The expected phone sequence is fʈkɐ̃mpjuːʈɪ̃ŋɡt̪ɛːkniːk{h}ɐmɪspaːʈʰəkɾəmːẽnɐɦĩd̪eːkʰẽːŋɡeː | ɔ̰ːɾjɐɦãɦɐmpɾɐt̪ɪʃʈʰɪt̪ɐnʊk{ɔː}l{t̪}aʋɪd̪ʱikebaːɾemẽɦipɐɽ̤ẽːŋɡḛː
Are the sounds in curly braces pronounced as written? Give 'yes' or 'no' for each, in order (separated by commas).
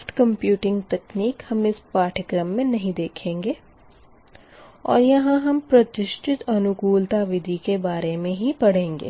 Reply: yes, no, yes